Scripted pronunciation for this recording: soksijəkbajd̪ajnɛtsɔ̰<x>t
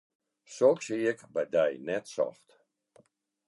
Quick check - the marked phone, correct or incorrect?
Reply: incorrect: f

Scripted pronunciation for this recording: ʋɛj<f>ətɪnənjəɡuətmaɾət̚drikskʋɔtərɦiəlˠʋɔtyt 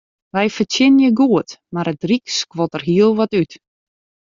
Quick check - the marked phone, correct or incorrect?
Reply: correct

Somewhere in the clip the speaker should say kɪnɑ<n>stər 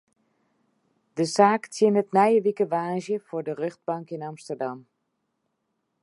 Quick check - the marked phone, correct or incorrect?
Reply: incorrect: m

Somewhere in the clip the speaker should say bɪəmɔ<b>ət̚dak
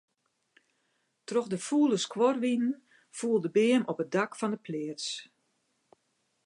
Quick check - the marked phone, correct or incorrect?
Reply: incorrect: p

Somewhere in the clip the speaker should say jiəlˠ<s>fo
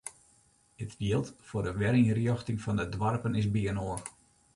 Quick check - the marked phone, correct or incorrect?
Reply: incorrect: t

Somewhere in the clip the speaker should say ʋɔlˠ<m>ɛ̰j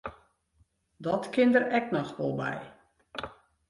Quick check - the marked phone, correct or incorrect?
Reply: incorrect: b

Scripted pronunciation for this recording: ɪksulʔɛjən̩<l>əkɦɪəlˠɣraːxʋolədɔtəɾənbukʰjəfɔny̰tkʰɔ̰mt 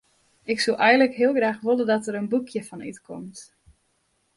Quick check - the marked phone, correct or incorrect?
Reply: correct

